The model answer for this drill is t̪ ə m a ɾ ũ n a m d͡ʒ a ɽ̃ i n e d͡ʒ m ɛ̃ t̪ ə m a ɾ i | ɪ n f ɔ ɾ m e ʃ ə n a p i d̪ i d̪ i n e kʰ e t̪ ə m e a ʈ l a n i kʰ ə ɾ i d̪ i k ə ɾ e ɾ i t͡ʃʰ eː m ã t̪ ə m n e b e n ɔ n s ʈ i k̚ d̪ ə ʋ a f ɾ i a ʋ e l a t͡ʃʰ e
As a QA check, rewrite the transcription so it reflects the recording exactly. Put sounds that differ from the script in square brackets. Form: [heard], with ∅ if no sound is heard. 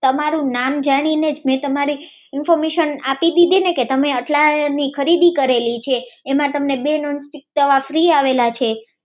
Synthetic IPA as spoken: t̪ ə m a ɾ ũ n a m d͡ʒ a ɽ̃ i n e d͡ʒ m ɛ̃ t̪ ə m a ɾ i | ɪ n f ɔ ɾ m e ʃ ə n a p i d̪ i d̪ i n e [k] e t̪ ə m e [ə] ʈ l a n i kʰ ə ɾ i d̪ i k ə ɾ e [l] i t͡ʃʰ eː m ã t̪ ə m n e b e n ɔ n s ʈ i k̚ [t̪] ə ʋ a f ɾ i a ʋ e l a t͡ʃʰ e